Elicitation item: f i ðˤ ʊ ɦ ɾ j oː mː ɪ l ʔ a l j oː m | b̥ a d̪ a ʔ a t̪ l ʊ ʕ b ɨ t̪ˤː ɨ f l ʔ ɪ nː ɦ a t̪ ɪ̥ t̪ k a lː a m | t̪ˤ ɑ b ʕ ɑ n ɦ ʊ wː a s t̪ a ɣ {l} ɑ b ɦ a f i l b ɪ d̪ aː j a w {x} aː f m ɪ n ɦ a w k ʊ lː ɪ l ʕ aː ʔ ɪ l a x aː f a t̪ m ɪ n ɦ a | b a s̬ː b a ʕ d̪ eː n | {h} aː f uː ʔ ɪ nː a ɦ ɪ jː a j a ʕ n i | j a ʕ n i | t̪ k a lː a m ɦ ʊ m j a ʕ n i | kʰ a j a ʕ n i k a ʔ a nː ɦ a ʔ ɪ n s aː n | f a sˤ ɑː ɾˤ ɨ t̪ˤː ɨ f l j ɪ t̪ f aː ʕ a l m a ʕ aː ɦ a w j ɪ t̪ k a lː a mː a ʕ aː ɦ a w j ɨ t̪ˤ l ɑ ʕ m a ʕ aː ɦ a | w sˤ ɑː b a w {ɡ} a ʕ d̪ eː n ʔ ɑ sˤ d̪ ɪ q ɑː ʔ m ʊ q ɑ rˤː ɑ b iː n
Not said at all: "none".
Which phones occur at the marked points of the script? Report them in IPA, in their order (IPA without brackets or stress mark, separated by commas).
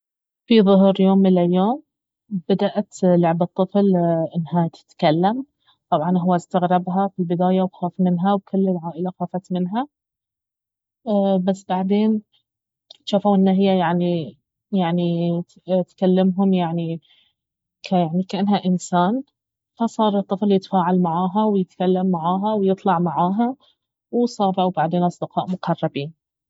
ɾ, x, ʃ, b